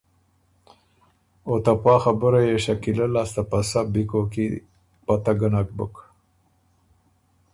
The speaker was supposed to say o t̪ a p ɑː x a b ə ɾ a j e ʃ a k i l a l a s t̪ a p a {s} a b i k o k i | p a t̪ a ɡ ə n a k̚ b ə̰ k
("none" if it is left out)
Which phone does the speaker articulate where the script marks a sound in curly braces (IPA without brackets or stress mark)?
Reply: s